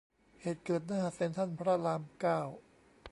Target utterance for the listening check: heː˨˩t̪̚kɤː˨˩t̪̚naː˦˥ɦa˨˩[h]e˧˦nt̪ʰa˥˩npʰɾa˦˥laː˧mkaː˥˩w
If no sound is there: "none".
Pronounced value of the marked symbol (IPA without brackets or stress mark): s